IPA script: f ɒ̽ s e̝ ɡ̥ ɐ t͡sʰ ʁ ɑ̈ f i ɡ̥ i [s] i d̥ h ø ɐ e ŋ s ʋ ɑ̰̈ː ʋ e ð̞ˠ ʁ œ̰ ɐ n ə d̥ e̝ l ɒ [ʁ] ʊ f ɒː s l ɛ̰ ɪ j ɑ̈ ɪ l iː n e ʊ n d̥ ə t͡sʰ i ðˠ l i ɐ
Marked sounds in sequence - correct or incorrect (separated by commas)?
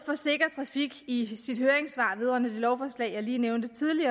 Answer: correct, incorrect